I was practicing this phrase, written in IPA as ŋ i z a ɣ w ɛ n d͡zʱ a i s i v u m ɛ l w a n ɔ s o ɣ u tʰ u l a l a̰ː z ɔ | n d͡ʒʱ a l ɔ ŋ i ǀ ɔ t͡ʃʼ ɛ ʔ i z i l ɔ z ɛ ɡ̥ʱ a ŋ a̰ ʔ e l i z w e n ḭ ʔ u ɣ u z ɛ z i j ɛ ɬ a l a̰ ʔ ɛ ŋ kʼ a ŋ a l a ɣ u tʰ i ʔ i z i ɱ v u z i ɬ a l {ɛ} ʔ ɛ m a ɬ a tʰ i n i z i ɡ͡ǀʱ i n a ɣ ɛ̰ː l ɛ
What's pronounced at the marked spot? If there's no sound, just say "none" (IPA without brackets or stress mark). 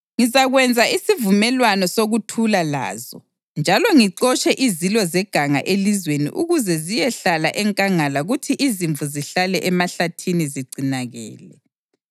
ɛ